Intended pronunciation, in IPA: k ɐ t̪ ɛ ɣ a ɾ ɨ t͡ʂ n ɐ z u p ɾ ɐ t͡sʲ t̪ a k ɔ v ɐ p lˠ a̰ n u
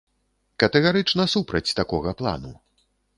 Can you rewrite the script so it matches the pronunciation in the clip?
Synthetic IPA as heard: k ɐ t̪ ɛ ɣ a ɾ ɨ t͡ʂ n ɐ s u p ɾ ɐ t͡sʲ t̪ a k ɔ ɣ ɐ p lˠ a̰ n u